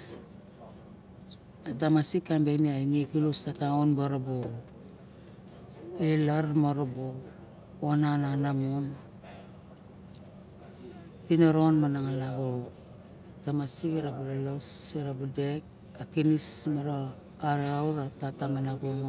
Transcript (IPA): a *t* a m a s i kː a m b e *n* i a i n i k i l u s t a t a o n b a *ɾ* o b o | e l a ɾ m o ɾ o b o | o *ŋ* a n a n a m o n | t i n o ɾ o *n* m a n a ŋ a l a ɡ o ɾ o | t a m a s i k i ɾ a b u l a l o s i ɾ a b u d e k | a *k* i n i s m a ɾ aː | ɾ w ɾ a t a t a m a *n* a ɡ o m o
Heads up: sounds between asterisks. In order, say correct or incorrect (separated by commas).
correct, correct, correct, incorrect, correct, correct, correct